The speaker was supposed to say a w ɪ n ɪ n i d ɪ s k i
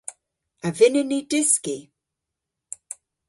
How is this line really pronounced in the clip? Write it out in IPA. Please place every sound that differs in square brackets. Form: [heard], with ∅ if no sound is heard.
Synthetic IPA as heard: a [v] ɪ n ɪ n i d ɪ s k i